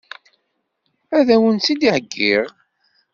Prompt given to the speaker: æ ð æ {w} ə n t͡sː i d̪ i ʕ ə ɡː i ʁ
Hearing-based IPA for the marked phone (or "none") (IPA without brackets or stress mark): w